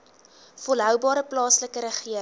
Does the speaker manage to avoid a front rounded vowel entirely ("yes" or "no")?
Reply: no